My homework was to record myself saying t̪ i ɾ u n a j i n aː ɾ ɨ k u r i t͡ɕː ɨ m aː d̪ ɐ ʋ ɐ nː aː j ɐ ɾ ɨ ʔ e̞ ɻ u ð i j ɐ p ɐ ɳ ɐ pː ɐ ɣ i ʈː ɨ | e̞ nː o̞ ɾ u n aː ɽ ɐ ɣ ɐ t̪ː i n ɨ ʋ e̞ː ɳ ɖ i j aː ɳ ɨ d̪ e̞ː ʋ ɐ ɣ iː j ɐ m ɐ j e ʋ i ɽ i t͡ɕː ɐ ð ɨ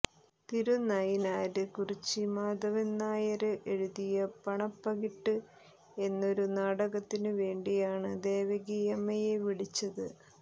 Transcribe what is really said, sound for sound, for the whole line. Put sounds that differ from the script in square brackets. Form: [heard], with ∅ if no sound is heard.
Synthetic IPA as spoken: t̪ i ɾ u n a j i n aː ɾ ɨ k u r i t͡ɕː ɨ m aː d̪ ɐ ʋ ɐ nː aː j ɐ ɾ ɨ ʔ e̞ ɻ u ð i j ɐ p ɐ ɳ ɐ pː ɐ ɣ i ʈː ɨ | e̞ nː o̞ ɾ u n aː ɽ ɐ ɣ ɐ t̪ː i n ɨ ʋ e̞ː ɳ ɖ i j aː ɳ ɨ d̪ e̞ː ʋ ɐ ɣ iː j ɐ m ɐ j e ʋ i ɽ i t͡ɕː ɐ ð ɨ